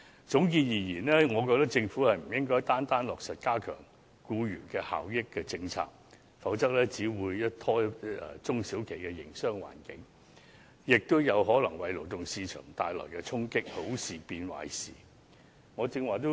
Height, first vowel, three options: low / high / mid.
high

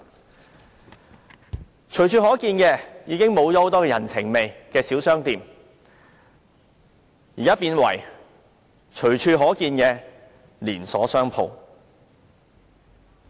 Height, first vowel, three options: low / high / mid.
mid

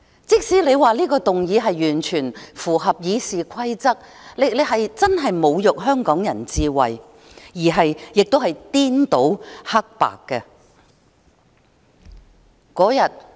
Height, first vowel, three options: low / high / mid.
high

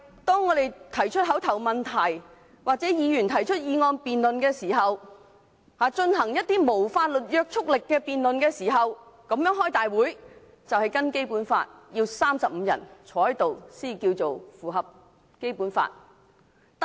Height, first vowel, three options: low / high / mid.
mid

